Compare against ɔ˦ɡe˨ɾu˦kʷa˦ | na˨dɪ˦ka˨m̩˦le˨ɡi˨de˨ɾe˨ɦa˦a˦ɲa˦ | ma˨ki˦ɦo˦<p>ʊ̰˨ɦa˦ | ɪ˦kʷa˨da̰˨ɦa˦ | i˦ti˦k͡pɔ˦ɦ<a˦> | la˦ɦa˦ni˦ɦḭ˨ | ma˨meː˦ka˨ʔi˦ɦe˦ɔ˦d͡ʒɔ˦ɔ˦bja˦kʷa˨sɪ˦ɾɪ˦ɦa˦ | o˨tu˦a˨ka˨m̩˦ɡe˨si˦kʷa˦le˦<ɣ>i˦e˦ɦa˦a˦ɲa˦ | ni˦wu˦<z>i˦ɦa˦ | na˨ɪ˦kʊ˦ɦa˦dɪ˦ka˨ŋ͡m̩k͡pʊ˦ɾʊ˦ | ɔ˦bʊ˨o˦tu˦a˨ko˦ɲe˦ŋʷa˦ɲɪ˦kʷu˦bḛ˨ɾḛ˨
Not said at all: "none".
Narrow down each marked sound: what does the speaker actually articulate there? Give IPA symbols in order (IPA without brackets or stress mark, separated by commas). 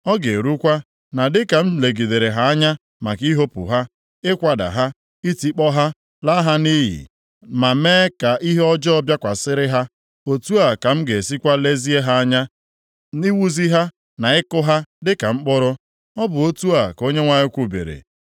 p, a˦, z, z